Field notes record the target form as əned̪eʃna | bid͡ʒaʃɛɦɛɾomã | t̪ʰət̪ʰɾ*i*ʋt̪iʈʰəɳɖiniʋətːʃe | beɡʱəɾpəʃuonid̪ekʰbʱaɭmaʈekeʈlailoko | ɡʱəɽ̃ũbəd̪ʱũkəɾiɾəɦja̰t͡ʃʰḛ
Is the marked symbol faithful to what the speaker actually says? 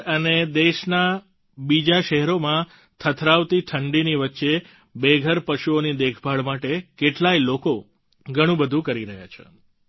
no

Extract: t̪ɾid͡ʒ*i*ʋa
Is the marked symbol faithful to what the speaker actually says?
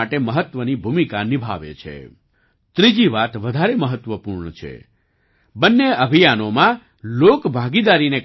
yes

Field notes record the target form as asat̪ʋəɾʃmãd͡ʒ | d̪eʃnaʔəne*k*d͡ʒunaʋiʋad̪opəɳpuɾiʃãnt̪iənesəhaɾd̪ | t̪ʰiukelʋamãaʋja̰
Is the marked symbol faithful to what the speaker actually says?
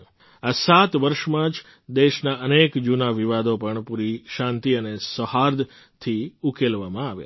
yes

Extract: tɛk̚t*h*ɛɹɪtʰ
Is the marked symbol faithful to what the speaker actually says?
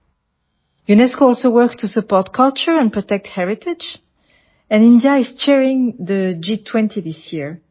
yes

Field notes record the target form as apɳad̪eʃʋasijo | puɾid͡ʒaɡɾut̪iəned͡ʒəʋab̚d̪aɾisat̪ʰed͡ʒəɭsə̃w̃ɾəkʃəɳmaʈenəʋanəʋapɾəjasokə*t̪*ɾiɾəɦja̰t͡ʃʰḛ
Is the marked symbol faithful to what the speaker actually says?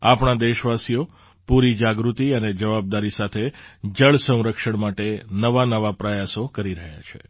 no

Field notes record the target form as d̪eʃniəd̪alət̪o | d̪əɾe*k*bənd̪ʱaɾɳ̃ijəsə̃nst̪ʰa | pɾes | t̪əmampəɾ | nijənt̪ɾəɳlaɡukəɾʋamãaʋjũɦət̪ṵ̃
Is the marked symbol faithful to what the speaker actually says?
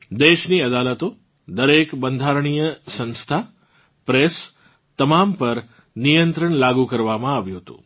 yes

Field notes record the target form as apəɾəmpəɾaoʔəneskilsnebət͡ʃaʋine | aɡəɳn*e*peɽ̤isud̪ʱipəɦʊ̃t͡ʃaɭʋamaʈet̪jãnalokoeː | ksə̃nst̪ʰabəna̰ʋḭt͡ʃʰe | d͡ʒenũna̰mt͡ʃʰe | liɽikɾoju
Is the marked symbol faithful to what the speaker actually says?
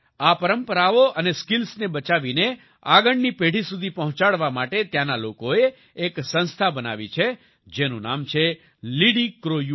no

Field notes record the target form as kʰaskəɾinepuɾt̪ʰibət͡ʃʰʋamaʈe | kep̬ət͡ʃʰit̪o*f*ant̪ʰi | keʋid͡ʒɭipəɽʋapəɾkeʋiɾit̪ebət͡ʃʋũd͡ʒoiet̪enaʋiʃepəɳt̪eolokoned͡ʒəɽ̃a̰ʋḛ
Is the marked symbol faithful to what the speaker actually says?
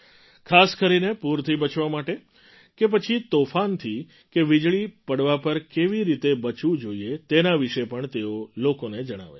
yes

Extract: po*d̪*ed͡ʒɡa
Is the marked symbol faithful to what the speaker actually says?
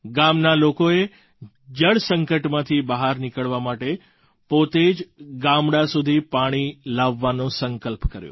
no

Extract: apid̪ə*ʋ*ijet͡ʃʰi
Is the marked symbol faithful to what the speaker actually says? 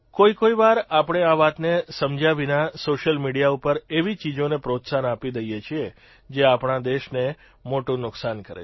no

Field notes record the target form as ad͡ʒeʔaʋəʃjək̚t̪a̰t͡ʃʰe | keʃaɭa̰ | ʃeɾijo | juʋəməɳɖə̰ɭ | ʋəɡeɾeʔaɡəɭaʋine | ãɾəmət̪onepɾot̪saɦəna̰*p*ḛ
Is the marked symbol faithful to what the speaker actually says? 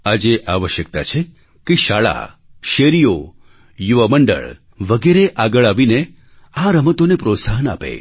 yes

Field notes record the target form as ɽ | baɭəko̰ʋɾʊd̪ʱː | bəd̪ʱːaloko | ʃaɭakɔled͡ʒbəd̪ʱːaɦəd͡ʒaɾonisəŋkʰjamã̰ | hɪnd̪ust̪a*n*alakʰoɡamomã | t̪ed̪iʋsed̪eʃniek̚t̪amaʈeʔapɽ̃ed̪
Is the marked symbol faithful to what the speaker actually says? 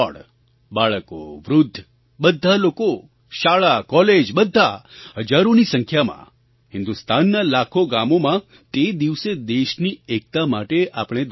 no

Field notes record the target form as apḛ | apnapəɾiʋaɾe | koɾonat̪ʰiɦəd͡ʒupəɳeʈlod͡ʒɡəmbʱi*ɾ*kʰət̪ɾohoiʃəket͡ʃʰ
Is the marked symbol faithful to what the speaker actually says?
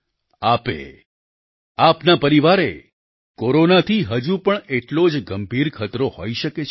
yes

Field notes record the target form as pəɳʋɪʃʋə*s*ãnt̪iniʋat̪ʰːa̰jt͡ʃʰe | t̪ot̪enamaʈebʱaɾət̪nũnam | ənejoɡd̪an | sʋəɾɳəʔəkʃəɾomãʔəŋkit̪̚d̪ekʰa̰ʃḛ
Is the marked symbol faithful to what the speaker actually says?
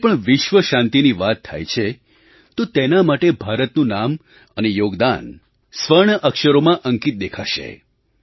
no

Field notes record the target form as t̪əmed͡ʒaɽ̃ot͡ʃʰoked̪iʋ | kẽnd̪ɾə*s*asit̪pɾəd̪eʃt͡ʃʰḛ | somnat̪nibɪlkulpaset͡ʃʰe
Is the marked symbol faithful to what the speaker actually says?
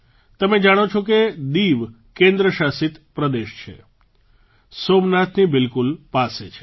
no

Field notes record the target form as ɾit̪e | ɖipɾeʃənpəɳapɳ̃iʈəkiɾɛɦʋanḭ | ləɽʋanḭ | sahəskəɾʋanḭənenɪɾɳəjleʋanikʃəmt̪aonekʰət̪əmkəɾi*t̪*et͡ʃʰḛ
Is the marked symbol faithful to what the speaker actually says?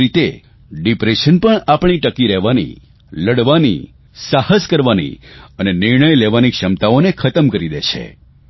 no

